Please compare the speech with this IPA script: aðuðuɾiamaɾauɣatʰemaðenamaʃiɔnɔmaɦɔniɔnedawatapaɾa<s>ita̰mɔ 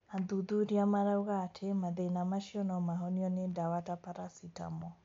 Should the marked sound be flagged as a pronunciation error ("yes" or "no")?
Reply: no